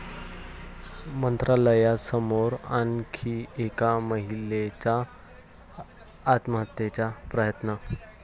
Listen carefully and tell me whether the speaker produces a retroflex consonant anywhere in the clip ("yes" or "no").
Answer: no